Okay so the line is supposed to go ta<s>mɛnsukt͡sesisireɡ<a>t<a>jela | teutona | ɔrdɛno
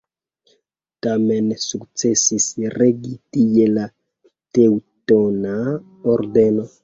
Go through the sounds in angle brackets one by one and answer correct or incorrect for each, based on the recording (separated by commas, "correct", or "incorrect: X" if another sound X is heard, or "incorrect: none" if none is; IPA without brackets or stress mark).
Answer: incorrect: none, incorrect: i, incorrect: i